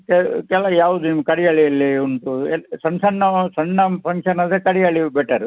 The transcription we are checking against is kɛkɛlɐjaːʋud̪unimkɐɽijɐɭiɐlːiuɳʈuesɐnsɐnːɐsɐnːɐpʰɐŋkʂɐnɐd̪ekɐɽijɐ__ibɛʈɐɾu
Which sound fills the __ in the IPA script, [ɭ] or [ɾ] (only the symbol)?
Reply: ɭ